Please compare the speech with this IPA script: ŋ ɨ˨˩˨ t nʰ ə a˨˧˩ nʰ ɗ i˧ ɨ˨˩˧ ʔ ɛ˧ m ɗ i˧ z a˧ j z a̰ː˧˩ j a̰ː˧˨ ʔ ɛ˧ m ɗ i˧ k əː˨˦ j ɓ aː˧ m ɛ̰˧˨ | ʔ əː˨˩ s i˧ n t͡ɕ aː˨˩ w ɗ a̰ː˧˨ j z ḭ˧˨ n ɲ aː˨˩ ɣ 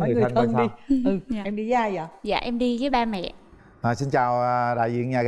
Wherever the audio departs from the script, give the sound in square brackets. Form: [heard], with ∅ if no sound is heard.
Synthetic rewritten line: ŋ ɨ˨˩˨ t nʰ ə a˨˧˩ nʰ ɗ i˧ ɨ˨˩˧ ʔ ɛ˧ m ɗ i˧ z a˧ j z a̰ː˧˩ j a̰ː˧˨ ʔ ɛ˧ m ɗ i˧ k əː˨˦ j ɓ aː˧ m ɛ̰˧˨ | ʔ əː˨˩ s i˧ n t͡ɕ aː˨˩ w ɗ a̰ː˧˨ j z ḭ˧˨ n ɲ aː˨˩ ɣ